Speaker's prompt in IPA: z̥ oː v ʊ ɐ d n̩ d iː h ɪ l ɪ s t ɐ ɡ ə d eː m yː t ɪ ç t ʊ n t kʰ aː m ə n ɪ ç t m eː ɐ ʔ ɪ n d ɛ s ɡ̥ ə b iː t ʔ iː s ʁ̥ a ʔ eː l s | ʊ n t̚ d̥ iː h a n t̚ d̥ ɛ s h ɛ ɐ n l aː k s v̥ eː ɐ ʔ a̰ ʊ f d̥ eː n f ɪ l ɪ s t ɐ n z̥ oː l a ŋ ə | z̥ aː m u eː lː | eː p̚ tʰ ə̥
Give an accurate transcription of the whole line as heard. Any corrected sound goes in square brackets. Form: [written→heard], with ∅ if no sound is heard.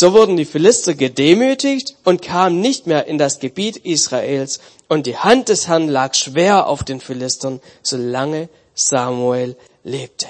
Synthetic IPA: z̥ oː v ʊ ɐ d n̩ d iː [h→f] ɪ l ɪ s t ɐ ɡ ə d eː m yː t ɪ ç t ʊ n t kʰ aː m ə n ɪ ç t m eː ɐ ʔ ɪ n d [ɛ→a] s ɡ̥ ə b iː t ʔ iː s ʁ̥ a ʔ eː l s | ʊ n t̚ d̥ iː h a n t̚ d̥ ɛ s h ɛ ɐ n l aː k [s→ʃ] v̥ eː ɐ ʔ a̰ ʊ f d̥ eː n f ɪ l ɪ s t ɐ n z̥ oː l a ŋ ə | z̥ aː m u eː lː | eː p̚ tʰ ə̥